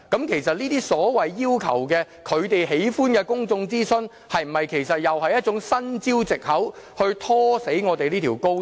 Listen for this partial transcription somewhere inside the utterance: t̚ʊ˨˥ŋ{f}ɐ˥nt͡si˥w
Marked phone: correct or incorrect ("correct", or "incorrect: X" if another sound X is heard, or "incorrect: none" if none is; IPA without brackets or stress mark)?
incorrect: s